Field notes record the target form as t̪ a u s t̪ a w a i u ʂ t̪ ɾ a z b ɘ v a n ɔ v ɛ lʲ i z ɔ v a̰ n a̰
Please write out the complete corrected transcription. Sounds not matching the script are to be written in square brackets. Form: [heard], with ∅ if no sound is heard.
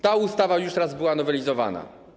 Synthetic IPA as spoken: t̪ a u s t̪ a [v] a [j] u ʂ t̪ ɾ a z b ɘ [w] a n ɔ v ɛ lʲ i z ɔ v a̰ n a̰